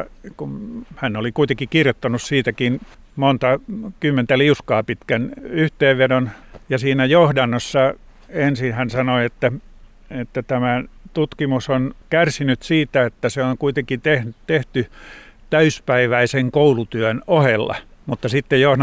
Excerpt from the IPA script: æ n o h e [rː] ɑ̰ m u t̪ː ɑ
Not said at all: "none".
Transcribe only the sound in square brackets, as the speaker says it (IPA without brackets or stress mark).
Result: lː